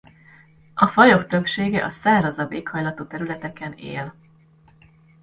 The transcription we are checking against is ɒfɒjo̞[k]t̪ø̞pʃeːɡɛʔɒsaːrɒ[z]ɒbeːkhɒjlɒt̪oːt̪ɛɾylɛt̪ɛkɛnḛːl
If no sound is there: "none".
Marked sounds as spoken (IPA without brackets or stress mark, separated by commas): k, z